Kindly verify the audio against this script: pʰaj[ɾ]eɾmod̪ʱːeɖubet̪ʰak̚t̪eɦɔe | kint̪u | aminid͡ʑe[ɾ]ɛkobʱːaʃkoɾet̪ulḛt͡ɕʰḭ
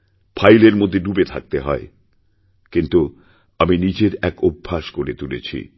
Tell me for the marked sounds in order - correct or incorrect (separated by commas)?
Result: incorrect, correct